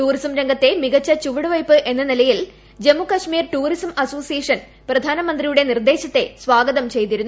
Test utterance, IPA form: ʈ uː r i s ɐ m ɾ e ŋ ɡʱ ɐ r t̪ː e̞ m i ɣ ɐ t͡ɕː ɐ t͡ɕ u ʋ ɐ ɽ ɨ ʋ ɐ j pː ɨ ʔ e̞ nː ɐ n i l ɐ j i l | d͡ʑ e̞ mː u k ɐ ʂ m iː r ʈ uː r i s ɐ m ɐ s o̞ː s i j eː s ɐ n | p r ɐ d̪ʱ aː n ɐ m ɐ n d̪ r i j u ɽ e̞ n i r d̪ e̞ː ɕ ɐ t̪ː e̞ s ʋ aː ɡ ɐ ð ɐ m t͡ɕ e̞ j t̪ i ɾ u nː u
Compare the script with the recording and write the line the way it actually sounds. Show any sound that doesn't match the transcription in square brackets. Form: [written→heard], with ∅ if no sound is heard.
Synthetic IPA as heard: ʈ uː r i s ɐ m ɾ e ŋ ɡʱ ɐ [r→∅] t̪ː e̞ m i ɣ ɐ t͡ɕː ɐ t͡ɕ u ʋ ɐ ɽ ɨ ʋ ɐ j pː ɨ ʔ e̞ nː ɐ n i l ɐ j i l | d͡ʑ e̞ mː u k ɐ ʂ m iː r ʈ uː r i s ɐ m ɐ s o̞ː s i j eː [s→ʂ] ɐ n | p r ɐ d̪ʱ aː n ɐ m ɐ n d̪ r i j u ɽ e̞ n i r d̪ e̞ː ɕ ɐ t̪ː e̞ s ʋ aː ɡ ɐ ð ɐ m t͡ɕ e̞ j t̪ i ɾ u nː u